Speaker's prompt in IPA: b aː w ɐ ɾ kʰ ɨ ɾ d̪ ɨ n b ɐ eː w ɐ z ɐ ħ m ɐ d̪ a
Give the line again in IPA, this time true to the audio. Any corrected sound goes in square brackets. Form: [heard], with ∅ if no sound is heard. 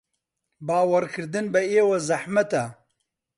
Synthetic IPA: b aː w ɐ ɾ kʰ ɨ ɾ d̪ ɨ n b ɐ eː w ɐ z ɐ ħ m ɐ [t̪] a